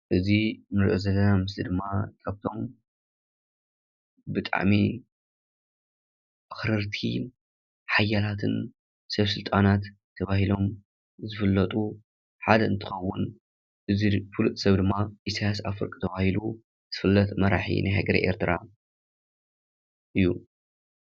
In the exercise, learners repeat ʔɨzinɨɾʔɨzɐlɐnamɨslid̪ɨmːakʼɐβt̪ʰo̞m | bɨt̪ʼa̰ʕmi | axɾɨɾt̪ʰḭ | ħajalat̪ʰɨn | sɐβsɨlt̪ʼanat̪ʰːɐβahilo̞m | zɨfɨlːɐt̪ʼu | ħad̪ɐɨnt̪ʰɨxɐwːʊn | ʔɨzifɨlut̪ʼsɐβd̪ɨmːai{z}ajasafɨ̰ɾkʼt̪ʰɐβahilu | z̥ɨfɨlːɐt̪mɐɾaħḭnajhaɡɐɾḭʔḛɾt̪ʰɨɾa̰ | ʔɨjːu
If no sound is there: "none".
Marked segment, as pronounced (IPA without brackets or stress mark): s